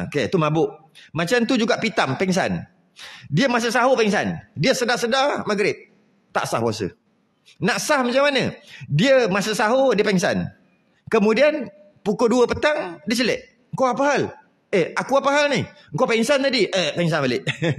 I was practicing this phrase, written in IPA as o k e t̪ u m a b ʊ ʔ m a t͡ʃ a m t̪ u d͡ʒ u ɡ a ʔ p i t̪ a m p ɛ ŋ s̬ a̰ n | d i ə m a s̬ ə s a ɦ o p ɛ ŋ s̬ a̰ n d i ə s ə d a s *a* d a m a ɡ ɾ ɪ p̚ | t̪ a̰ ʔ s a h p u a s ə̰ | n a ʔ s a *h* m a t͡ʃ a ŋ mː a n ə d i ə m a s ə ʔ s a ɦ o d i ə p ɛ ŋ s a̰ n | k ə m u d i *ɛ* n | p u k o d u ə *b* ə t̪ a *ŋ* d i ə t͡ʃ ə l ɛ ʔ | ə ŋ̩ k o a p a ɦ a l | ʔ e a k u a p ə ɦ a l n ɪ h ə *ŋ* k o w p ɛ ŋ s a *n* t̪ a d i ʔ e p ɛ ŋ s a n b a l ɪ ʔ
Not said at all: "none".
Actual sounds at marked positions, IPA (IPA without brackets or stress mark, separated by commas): ə, h, a, p, ŋ, ŋ, n